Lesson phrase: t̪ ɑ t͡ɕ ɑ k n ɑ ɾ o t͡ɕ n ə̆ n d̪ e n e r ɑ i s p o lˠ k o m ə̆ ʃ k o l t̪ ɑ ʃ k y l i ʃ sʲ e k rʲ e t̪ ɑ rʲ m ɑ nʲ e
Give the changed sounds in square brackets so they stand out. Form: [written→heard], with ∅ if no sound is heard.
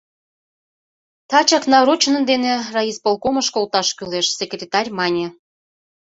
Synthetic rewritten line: t̪ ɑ t͡ɕ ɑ k n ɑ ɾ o t͡ɕ n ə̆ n d̪ e n e r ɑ i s p o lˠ k o m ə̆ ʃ k o l t̪ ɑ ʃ k y l [i→e] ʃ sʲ e k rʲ e t̪ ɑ rʲ m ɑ nʲ e